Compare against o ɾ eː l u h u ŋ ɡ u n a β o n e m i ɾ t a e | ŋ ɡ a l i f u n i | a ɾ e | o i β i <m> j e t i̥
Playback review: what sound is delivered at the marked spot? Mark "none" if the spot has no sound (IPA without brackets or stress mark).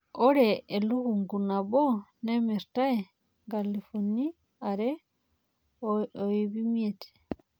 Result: m